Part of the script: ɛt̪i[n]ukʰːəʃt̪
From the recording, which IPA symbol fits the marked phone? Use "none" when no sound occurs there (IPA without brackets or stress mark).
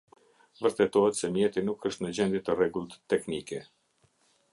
n